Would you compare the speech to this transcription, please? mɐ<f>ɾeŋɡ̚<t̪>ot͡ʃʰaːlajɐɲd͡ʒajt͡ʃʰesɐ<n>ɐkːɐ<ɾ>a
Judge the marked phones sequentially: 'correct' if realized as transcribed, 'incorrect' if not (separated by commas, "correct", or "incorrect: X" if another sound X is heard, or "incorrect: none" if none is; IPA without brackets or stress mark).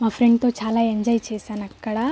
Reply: correct, correct, correct, incorrect: ɽ